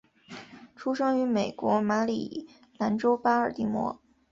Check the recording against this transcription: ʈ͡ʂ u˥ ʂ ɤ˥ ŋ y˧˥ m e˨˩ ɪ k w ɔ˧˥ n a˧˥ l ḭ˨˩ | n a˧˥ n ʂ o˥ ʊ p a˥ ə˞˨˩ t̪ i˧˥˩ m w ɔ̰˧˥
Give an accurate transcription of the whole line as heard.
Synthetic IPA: ʈ͡ʂʰ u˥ ʂ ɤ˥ ŋ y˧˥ m e˨˩ ɪ k w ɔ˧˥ m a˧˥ l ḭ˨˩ | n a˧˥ n ʈ͡ʂ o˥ ʊ p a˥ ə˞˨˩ t̪ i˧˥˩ m w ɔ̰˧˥